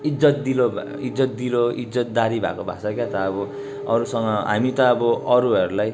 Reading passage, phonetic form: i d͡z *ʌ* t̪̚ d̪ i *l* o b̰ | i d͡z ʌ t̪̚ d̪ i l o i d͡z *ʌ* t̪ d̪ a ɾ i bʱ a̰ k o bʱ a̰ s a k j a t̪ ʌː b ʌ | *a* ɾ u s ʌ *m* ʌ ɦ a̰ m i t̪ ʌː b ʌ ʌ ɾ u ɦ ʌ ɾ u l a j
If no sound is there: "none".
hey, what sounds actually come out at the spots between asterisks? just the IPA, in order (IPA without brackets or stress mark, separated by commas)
ʌ, l, ʌ, ʌ, ŋ